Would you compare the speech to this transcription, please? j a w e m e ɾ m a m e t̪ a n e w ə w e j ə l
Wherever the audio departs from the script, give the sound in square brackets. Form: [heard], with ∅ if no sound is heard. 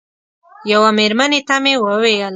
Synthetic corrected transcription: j a w [a] m e ɾ m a [n] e t̪ a [m] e w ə w e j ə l